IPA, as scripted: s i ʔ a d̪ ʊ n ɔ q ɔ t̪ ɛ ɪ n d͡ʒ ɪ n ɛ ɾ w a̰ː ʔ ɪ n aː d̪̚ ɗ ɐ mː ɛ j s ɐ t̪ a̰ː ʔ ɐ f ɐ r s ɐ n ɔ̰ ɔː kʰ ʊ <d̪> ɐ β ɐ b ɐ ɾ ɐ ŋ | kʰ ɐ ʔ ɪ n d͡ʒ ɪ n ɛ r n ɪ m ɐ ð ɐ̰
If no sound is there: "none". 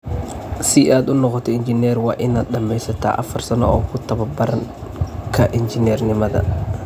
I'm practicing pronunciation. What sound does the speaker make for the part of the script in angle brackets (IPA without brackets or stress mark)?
t̪